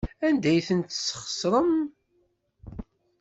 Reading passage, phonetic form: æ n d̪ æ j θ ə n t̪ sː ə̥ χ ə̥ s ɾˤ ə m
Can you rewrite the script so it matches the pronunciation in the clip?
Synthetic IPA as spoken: æ n d̪ æ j θ ə n t̪ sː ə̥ χ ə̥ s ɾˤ ə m